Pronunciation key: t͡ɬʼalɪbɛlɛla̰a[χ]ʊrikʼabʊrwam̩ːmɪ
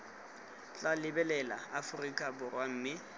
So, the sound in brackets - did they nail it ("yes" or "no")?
no